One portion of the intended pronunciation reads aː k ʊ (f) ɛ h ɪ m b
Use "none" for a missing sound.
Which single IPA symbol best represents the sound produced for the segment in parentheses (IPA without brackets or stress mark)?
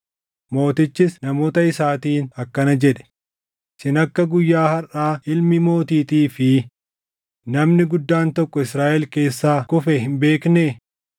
f